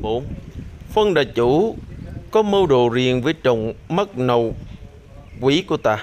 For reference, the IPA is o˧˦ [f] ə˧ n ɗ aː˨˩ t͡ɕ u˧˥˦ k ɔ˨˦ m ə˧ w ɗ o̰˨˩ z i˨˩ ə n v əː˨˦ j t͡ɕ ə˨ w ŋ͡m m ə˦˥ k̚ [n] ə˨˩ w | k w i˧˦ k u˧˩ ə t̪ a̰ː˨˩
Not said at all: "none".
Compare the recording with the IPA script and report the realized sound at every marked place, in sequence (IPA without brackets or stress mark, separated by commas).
f, n